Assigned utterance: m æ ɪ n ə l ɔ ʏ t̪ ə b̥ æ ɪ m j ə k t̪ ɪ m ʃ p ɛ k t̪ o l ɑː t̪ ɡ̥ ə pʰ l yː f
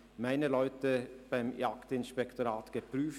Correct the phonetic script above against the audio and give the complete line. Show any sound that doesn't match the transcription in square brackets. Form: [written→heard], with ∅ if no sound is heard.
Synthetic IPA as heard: m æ ɪ n ə l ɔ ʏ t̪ ə b̥ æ ɪ m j [ə→ɑ] k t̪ ɪ [m→n] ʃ p ɛ k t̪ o [l→ɾ] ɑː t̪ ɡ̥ ə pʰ [l→ɾ] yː f